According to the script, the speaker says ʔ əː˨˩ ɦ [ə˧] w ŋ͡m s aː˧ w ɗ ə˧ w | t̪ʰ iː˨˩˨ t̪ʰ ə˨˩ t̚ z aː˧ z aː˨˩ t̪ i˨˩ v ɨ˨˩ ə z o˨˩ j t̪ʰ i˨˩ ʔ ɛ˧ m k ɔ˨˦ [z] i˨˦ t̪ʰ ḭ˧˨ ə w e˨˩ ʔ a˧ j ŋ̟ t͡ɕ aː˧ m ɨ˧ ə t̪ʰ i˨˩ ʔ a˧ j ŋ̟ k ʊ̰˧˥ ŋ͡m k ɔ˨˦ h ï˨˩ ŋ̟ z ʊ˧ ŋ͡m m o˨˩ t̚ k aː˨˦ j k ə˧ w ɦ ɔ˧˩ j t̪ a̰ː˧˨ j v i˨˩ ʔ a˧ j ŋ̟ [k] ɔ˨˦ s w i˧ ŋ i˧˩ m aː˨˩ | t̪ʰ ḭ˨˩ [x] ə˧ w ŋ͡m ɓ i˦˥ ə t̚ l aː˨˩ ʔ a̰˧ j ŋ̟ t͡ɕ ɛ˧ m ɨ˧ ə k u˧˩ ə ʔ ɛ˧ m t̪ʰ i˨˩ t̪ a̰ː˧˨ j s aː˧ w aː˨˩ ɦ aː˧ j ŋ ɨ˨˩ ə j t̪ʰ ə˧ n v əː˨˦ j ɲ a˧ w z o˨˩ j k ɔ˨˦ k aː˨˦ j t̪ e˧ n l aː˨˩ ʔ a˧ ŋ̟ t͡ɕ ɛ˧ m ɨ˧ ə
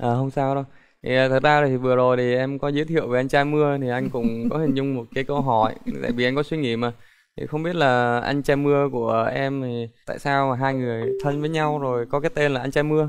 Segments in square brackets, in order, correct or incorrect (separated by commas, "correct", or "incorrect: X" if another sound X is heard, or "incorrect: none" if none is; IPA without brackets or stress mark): correct, correct, correct, correct